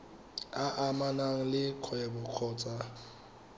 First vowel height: low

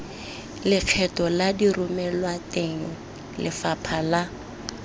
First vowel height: high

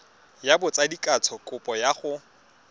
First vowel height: low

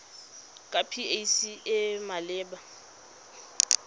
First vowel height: low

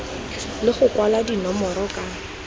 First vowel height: high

